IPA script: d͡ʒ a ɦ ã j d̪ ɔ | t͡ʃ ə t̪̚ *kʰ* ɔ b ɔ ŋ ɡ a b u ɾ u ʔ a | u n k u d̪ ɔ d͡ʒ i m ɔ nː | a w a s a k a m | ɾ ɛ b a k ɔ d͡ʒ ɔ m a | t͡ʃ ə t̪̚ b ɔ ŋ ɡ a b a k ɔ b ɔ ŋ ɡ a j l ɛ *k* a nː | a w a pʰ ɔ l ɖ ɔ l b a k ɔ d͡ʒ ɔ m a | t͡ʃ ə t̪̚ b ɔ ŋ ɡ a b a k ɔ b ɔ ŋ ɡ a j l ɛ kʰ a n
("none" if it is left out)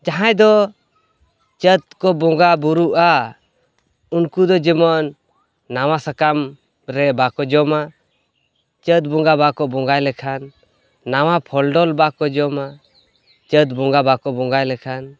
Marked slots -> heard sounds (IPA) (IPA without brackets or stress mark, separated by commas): k, kʰ